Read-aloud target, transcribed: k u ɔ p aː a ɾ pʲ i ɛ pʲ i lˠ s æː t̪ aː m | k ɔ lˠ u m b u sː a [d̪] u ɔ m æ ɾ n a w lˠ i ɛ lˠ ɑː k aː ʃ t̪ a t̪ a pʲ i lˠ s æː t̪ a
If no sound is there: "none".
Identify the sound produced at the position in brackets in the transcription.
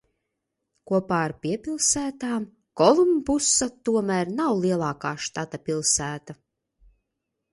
t̪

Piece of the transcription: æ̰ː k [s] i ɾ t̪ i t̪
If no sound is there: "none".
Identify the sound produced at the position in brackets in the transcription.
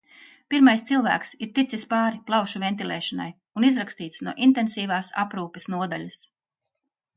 s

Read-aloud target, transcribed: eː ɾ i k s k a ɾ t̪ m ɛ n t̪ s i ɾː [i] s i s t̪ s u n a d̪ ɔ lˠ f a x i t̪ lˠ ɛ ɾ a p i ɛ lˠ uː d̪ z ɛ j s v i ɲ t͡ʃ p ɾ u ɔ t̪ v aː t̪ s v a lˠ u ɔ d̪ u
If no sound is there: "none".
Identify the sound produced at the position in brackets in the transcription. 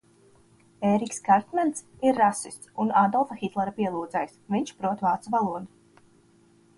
a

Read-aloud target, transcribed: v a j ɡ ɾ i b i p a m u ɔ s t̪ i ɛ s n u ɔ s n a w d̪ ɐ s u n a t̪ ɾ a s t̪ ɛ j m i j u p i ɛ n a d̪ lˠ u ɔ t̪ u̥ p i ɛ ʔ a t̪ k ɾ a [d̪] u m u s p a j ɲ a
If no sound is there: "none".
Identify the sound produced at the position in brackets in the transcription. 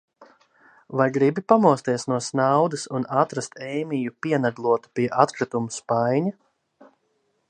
t̪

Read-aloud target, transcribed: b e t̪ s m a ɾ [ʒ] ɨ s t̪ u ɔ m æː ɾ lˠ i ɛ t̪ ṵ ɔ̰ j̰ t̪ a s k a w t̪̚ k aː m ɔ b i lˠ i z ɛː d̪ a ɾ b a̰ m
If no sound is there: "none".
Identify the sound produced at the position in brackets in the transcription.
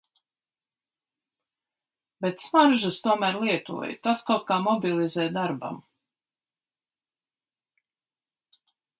ʒ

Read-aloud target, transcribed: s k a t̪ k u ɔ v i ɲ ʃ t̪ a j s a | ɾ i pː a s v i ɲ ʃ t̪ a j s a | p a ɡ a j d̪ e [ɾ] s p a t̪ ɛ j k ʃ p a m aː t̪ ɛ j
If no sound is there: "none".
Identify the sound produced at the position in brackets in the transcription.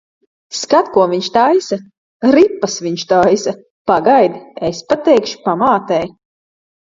none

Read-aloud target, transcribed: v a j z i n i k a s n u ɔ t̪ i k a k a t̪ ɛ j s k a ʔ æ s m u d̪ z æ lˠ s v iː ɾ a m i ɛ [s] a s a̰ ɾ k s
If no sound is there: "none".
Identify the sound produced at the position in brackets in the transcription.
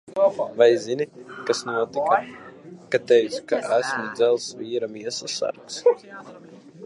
s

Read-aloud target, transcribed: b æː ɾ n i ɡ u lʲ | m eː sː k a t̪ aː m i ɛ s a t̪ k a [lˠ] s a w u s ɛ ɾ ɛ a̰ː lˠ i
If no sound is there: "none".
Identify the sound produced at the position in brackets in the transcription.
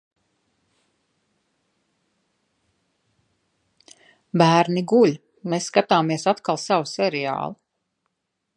lˠ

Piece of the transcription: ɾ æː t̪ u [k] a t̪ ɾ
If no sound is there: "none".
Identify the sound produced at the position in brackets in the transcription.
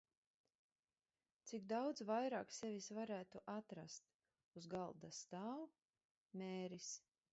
ʔ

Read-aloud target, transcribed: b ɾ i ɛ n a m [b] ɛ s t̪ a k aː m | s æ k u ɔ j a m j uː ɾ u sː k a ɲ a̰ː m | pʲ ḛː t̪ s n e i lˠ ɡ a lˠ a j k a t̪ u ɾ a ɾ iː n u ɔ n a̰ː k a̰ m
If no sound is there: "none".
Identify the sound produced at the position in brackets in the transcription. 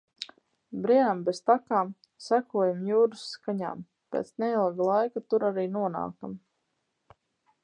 b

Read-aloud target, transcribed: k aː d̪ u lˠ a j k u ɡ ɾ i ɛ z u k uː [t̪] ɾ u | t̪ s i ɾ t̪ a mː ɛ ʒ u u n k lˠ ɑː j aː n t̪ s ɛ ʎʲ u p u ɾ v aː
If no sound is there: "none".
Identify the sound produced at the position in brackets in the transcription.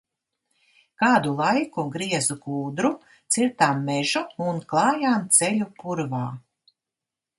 d̪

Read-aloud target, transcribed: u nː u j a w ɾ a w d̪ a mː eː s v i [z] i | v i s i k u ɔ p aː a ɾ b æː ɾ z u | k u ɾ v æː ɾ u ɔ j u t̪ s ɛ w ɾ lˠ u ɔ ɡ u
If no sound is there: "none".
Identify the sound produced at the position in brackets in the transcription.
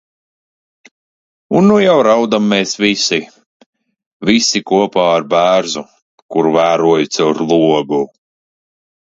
s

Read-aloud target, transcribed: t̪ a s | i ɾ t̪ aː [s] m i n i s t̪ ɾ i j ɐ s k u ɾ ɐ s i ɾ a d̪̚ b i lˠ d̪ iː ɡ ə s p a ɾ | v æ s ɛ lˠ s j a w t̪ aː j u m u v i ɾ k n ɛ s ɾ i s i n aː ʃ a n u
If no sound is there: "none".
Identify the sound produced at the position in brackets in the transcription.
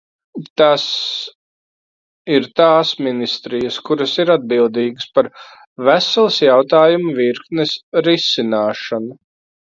s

